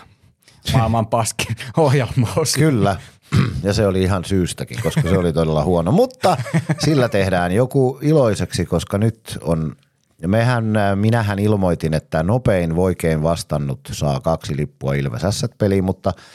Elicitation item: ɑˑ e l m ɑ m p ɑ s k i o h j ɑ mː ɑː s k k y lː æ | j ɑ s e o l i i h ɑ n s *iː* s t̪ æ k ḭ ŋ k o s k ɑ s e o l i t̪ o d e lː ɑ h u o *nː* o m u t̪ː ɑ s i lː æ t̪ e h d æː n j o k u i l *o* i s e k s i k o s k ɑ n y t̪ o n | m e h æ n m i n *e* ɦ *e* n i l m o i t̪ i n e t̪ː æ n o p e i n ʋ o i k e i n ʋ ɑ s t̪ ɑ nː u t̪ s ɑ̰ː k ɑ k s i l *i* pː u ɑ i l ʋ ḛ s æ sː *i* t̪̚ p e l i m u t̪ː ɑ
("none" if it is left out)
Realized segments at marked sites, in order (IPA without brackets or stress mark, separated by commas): yː, n, o, æ, æ, i, æ